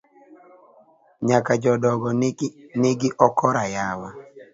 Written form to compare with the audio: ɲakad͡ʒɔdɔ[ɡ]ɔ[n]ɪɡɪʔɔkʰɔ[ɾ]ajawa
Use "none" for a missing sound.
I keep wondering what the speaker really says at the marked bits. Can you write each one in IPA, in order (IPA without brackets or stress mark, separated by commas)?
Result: ɡ, n, ɾ